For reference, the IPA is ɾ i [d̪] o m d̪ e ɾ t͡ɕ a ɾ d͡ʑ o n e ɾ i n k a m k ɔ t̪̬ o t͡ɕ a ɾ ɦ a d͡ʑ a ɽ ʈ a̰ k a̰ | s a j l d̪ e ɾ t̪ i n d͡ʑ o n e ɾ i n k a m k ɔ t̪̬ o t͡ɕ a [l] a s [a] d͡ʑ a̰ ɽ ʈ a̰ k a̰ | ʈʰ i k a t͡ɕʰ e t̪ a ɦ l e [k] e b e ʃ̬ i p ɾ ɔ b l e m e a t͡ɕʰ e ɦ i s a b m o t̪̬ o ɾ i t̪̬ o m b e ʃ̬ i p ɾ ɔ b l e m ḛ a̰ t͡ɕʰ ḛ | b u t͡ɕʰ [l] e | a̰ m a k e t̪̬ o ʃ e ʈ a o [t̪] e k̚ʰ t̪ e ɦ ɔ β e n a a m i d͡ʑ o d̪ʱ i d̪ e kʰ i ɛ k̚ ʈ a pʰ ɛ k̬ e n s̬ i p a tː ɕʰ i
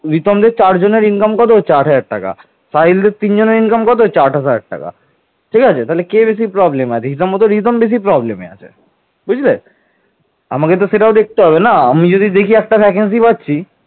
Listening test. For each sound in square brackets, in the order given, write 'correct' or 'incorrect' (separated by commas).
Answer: incorrect, incorrect, correct, correct, correct, incorrect